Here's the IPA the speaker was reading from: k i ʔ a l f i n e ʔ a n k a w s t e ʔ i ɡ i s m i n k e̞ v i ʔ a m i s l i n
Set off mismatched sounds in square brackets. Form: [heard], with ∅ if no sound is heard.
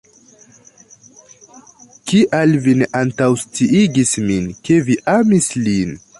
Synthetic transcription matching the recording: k i ʔ a l [v] i n e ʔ a n [t] a w s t [i] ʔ i ɡ i s m i n k e̞ v i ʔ a m i s l i n